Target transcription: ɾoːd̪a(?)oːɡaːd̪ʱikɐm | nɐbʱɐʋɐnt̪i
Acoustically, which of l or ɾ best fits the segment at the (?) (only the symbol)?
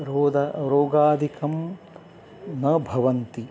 ɾ